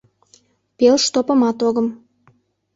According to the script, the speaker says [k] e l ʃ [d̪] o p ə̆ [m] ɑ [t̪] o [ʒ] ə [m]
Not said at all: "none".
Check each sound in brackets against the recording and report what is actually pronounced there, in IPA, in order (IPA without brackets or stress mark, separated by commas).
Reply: p, t̪, m, t̪, ɣ, m